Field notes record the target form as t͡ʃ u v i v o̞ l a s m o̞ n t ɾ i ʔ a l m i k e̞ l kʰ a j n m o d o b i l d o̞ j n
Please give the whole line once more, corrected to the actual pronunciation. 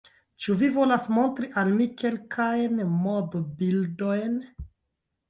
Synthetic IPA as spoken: t͡ʃ u v i v o̞ l a s m o̞ n t ɾ i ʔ a l m i k e̞ l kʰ a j n m o d o b i l d o̞ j n